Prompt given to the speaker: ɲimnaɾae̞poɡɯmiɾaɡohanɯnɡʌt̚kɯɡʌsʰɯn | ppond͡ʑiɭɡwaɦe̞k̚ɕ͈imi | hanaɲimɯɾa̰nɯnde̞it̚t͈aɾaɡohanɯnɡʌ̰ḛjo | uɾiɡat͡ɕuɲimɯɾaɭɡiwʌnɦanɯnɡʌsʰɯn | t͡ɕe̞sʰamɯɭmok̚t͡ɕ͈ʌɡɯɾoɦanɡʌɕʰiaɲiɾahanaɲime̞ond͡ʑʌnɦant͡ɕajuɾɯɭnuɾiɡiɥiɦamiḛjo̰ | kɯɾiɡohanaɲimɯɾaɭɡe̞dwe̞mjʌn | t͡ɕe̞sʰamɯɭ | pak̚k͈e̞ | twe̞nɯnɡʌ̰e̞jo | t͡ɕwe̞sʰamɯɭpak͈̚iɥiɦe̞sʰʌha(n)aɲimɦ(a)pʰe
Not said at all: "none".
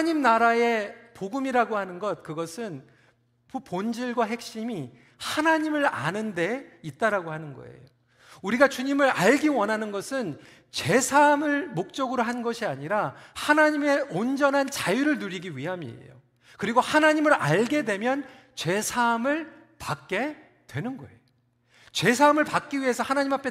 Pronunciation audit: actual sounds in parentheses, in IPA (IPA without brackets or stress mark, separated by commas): n, a